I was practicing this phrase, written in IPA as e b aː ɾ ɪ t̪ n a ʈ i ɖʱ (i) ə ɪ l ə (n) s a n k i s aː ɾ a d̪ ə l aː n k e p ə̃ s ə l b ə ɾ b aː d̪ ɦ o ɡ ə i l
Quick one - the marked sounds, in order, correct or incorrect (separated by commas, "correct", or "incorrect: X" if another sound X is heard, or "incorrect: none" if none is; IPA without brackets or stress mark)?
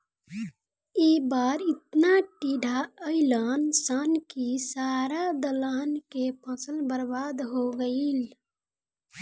incorrect: a, correct